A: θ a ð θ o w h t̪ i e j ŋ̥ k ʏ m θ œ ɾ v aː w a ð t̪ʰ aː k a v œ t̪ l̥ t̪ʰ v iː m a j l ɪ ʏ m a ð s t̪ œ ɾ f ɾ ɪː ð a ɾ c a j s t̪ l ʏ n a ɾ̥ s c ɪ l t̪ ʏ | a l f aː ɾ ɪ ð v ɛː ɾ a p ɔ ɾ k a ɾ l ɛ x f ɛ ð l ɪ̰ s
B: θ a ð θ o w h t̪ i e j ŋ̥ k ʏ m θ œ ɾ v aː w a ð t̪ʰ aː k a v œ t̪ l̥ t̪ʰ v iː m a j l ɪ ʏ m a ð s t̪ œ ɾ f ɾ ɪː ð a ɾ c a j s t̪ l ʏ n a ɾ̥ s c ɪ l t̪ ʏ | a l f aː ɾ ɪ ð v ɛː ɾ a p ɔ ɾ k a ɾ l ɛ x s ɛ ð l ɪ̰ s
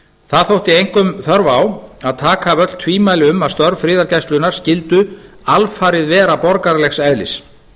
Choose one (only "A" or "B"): B